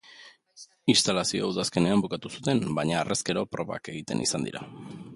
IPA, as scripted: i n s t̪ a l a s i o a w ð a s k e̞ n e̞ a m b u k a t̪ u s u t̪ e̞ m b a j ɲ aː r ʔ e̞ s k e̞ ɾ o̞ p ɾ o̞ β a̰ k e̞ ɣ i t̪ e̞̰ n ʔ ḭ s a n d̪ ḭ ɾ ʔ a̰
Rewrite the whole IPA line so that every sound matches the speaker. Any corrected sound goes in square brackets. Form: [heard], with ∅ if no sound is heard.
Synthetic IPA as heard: i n s t̪ a l a s i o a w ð a s k e̞ n e̞ a m b u k a t̪ u s u t̪ e̞ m b a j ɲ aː r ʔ e̞ s k e̞ ɾ o̞ p ɾ o̞ β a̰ k e̞ ɣ i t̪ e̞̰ n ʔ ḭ s a n d̪ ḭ ɾ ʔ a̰

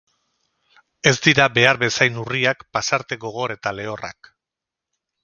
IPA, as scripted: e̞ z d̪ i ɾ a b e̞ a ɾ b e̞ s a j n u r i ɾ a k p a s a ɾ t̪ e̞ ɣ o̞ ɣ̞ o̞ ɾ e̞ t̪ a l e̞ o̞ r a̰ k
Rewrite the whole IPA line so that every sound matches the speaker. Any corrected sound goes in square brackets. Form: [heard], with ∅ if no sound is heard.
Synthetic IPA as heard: e̞ z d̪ i ɾ a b e̞ a ɾ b e̞ s a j n u r i [∅] a k p a s a ɾ t̪ e̞ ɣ o̞ ɣ̞ o̞ ɾ e̞ t̪ a l e̞ o̞ r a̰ k

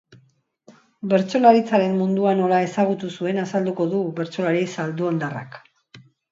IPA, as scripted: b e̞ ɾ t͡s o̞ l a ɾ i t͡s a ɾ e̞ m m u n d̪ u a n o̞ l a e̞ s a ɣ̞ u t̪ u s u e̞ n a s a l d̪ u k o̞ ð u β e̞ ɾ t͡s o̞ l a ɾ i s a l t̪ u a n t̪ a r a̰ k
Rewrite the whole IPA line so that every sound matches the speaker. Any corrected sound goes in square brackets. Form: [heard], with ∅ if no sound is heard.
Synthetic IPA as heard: b e̞ ɾ t͡s o̞ l a ɾ i t͡s a ɾ e̞ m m u n d̪ u a n o̞ l a e̞ s a ɣ̞ u t̪ u s u e̞ n a s a l d̪ u k o̞ ð u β e̞ ɾ t͡s o̞ l a ɾ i s a l [d̪] u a n [d̪] a r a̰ k

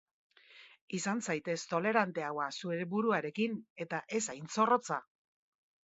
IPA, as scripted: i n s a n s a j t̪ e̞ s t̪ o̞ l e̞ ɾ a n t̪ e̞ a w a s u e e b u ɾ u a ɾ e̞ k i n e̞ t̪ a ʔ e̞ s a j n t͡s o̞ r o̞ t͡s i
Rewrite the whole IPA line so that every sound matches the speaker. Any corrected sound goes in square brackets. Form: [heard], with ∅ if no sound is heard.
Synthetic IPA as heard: i [∅] s a n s a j t̪ e̞ s t̪ o̞ l e̞ ɾ a n t̪ e̞ a w a s u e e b u ɾ u a ɾ e̞ k i n e̞ t̪ a ʔ e̞ s a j n t͡s o̞ r o̞ t͡s [a]

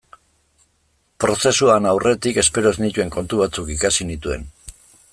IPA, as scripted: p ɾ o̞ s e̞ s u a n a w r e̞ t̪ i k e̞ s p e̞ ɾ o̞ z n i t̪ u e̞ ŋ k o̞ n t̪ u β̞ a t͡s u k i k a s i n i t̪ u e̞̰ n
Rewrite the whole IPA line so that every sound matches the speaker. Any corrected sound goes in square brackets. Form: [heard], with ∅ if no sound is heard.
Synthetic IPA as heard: p ɾ o̞ s e̞ s u a n a w r e̞ t̪ i k e̞ s p e̞ ɾ o̞ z n i t̪ u e̞ ŋ k o̞ n t̪ u β̞ a t͡s u k i k a s i n i t̪ u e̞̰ n

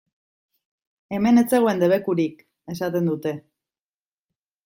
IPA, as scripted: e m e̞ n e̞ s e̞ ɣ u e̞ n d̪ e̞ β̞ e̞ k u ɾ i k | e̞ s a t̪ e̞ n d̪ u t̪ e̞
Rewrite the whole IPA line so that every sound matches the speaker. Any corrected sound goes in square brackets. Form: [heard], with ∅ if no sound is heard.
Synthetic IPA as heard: e m e̞ n e̞ [t͡s] e̞ ɣ [o] e̞ n d̪ e̞ β̞ e̞ k u ɾ i k | e̞ s a t̪ e̞ n d̪ u t̪ e̞

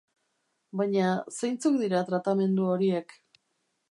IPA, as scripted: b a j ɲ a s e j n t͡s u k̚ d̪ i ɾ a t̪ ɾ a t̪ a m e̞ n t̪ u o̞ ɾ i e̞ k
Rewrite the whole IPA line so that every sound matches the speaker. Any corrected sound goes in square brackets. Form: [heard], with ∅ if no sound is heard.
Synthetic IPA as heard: b a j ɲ a s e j n t͡s u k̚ d̪ i ɾ a t̪ ɾ a t̪ a m e̞ n [d̪] u o̞ ɾ i e̞ k

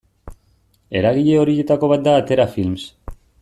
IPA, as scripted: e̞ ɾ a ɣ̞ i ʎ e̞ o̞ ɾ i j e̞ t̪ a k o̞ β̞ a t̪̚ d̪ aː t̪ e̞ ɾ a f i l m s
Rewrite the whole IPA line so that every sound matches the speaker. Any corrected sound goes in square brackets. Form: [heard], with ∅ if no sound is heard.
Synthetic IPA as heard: e̞ ɾ a ɣ̞ i ʎ e̞ o̞ ɾ i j e̞ t̪ a k o̞ β̞ a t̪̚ d̪ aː t̪ e̞ ɾ a f i l m s

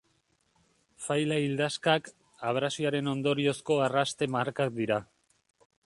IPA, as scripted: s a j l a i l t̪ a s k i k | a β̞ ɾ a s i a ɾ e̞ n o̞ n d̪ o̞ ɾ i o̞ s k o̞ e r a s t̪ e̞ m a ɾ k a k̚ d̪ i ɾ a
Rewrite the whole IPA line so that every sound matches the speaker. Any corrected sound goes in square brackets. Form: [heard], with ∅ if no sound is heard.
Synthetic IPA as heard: [f] a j l a i l [d̪] a s k [a] k | a β̞ ɾ a s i a ɾ e̞ n o̞ n d̪ o̞ ɾ i o̞ s k o̞ [a] r a s t̪ e̞ m a ɾ k a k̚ d̪ i ɾ a

